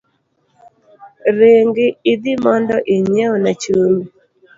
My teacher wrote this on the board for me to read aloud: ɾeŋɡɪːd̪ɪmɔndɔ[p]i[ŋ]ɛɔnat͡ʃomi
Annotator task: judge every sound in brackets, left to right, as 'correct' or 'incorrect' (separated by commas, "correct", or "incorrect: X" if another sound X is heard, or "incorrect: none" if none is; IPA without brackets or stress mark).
incorrect: ʔ, incorrect: ɲ